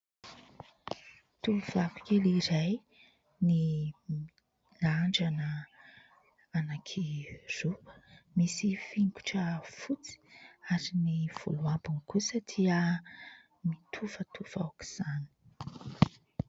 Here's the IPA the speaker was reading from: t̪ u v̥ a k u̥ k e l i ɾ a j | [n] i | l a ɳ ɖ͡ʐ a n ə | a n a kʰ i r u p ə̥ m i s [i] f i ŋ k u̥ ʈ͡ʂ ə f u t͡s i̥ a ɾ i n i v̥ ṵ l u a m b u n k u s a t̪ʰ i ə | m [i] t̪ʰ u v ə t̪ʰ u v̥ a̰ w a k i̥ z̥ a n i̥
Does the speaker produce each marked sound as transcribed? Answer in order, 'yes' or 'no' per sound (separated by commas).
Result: yes, yes, yes